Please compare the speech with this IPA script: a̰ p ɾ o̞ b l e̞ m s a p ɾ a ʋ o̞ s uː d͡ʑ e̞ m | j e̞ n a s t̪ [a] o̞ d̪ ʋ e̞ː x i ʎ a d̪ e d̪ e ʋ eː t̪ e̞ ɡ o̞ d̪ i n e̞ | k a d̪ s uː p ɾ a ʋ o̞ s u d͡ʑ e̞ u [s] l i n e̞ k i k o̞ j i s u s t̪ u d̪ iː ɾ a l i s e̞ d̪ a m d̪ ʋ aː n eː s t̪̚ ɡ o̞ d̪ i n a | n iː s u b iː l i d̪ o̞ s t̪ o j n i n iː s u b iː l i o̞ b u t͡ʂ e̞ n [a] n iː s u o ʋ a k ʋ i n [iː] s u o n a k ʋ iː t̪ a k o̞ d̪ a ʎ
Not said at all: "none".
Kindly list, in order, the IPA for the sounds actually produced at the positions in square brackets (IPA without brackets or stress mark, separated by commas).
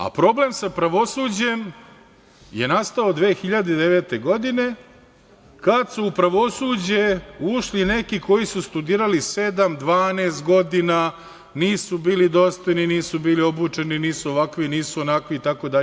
a, ʃ, i, iː